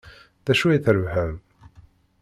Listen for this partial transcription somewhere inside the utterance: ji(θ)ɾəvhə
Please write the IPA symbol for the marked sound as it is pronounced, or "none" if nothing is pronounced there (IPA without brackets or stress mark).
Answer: θ